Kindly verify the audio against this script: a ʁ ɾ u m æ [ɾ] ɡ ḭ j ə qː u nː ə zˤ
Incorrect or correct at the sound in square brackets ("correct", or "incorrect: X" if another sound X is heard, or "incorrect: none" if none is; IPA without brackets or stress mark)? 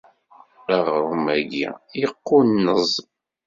incorrect: none